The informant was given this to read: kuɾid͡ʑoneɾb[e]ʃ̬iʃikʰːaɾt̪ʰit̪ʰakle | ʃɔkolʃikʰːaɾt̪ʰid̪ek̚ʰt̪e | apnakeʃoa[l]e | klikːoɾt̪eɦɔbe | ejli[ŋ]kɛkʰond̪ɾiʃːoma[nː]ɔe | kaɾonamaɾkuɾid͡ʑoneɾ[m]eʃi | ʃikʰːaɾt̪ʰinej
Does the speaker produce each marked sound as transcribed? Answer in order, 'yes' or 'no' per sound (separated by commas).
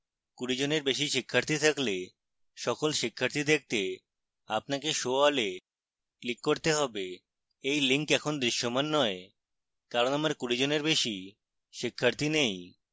yes, yes, yes, yes, no